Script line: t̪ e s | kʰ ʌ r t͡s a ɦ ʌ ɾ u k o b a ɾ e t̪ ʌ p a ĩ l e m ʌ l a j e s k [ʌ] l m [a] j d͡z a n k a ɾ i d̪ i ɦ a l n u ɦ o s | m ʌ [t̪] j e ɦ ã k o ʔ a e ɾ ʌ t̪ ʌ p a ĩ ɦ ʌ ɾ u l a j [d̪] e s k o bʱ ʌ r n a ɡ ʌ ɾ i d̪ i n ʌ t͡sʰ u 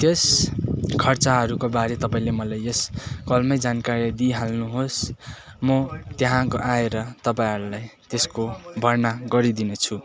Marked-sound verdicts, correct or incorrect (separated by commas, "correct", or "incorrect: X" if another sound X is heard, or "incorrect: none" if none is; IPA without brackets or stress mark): correct, incorrect: ʌ, correct, incorrect: t̪